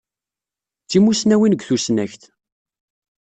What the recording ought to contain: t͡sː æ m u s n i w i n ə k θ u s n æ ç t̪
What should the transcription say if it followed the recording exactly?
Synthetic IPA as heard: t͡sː i m u s n æ w i n ə ɡ θ u s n æ ç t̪